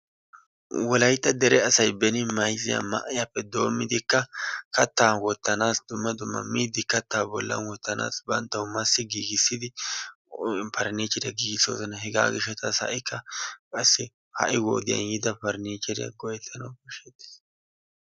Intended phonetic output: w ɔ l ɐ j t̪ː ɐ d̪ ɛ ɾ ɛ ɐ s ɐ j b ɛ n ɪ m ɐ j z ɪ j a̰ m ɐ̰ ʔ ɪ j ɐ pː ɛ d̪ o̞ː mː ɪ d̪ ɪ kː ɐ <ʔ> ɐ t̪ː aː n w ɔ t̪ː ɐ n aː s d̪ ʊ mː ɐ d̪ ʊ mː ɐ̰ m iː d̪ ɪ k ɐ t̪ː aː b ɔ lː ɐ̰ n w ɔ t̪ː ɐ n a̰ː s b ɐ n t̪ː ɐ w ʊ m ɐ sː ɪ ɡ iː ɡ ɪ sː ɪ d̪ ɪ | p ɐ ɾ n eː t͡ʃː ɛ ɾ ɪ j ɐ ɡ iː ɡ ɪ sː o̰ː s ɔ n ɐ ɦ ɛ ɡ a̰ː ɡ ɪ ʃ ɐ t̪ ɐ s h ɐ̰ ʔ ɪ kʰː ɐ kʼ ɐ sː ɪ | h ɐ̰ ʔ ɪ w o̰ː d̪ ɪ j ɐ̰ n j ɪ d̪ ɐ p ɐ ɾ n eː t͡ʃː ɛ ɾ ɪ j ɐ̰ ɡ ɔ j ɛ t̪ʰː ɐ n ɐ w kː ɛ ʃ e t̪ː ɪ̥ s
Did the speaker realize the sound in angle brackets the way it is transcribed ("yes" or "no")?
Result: no